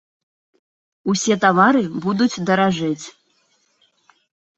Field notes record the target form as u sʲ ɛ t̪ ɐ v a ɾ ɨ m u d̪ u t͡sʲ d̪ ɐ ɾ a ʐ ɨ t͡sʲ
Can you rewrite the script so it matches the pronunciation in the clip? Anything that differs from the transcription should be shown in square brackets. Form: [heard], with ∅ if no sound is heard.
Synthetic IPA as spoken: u sʲ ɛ t̪ [a] v a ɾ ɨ [b] u d̪ u t͡sʲ d̪ ɐ ɾ a ʐ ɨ t͡sʲ